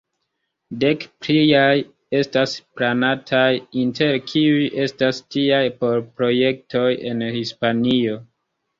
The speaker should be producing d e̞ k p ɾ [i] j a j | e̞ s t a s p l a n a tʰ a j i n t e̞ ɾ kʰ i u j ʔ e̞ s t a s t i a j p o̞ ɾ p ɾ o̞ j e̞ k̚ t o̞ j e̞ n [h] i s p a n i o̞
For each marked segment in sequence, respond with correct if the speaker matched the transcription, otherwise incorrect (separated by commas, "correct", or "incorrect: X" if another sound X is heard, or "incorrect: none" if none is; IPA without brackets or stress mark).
correct, correct